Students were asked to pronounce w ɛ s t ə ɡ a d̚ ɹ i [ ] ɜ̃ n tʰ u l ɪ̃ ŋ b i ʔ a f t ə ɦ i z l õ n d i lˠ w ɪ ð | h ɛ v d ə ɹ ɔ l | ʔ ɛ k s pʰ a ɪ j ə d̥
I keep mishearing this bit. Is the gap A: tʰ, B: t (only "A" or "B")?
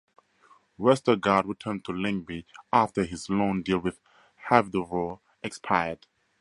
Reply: A